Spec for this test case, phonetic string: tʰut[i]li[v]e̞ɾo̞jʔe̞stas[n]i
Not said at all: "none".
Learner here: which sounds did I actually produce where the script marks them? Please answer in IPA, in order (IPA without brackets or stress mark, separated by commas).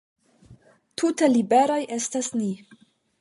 e, b, n